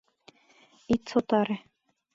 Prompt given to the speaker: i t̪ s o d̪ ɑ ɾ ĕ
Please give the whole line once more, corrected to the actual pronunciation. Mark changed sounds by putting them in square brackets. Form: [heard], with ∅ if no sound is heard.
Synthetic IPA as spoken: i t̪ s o [t̪] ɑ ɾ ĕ